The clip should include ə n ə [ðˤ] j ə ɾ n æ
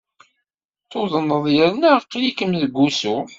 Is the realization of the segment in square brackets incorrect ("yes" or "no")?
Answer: no